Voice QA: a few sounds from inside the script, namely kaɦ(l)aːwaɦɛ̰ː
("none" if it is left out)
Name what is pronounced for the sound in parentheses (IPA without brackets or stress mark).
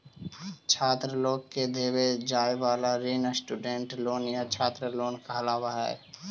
l